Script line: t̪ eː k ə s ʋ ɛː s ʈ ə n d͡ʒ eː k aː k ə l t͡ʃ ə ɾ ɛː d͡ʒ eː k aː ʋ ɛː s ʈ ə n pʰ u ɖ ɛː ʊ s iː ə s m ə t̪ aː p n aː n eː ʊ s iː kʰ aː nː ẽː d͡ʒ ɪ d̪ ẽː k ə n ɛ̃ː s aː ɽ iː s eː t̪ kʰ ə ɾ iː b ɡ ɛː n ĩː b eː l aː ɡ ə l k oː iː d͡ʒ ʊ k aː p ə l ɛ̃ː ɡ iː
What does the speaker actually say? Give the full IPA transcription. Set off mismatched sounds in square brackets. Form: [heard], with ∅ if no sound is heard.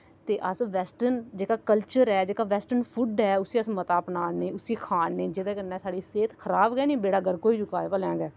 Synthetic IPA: t̪ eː [ʔ] ə s ʋ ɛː s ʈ ə n d͡ʒ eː k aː k ə l t͡ʃ ə ɾ ɛː d͡ʒ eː k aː ʋ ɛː s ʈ ə n pʰ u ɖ ɛː ʊ s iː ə s m ə t̪ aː p n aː n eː ʊ s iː kʰ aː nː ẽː d͡ʒ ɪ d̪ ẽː k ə n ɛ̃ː s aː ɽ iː s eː t̪ kʰ ə ɾ [aː] b ɡ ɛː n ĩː b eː [ɽ] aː ɡ ə [ɾ] k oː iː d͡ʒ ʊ k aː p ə l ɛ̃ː ɡ [ɛː]